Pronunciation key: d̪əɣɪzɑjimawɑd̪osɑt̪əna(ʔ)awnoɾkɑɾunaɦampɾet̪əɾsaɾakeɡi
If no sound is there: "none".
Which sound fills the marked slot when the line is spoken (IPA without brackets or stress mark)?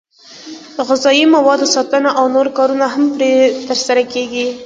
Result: ʔ